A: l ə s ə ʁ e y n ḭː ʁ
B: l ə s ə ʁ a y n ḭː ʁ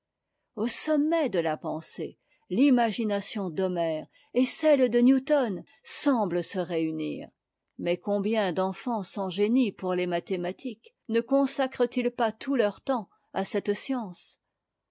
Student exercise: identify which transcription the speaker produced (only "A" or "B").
A